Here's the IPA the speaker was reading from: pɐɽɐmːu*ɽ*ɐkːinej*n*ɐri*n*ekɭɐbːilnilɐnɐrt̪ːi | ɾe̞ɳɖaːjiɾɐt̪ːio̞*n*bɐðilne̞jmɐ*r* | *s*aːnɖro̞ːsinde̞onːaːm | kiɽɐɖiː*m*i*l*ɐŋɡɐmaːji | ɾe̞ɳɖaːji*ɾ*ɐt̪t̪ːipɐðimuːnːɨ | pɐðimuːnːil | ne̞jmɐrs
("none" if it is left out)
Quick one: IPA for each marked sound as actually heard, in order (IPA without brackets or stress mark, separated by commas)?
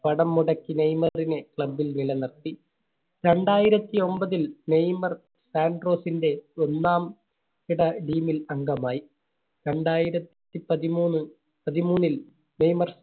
ɽ, m, n, m, r, s, m, l, ɾ